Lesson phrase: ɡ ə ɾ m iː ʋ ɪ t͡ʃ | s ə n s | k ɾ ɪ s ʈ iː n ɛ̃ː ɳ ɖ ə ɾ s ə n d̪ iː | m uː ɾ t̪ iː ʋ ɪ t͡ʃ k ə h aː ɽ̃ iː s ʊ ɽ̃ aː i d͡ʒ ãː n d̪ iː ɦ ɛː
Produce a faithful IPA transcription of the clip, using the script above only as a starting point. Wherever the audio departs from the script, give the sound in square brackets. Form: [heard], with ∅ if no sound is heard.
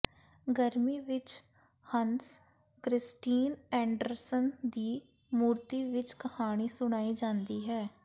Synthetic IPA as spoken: ɡ ə ɾ m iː ʋ ɪ t͡ʃ | [h] ə n s | k ɾ ɪ s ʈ iː n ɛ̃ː ɳ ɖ ə ɾ s ə n d̪ iː | m uː ɾ t̪ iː ʋ ɪ t͡ʃ k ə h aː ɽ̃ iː s ʊ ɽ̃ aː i d͡ʒ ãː n d̪ iː ɦ ɛː